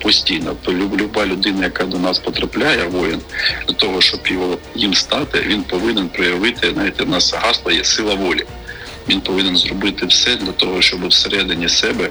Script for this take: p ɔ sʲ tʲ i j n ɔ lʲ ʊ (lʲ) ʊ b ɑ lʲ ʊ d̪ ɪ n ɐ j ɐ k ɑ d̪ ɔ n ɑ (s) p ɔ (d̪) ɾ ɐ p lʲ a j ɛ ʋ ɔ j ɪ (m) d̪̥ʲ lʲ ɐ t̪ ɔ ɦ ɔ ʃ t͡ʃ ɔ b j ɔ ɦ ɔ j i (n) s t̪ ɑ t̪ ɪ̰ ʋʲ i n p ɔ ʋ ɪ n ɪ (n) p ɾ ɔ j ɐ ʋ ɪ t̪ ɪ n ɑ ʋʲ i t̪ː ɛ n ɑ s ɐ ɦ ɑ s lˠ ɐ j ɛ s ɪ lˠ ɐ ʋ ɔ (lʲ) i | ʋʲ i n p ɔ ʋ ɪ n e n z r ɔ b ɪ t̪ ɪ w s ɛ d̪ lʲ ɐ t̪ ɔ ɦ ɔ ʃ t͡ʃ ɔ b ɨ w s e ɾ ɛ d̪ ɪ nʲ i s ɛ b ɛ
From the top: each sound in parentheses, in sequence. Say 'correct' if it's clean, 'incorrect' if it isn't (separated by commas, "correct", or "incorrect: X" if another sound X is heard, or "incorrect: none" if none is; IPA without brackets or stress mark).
correct, correct, incorrect: t̪, incorrect: n, incorrect: m, correct, correct